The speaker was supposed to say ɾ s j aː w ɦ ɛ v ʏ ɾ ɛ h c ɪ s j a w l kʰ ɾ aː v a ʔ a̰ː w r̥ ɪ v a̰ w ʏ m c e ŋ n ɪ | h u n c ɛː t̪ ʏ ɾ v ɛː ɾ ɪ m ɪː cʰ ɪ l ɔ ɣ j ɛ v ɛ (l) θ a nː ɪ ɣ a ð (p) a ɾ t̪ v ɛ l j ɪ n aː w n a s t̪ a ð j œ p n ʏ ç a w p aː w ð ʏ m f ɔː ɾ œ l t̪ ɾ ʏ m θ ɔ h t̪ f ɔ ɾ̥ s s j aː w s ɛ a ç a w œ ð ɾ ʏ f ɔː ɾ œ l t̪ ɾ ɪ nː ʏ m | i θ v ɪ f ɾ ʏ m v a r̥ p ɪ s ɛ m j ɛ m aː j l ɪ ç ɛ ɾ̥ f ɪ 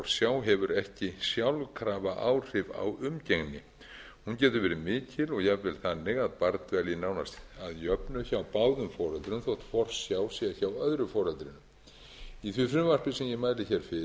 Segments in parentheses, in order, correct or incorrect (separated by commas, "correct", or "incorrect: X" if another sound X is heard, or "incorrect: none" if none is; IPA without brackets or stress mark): correct, correct